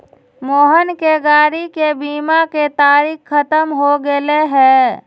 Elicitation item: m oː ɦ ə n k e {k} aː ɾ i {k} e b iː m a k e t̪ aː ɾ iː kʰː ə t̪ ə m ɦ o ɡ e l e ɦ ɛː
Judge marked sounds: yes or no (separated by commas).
no, yes